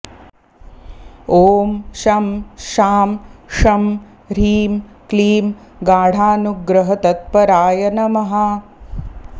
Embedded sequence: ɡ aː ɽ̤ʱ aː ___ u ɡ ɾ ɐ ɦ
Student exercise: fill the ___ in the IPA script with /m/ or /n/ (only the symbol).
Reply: n